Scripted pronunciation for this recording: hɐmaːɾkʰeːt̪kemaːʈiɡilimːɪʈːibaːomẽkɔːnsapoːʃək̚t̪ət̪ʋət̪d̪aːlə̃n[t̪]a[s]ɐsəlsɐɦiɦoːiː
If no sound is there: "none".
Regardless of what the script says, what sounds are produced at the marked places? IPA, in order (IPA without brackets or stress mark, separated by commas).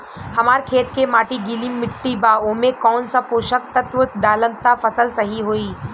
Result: t̪, f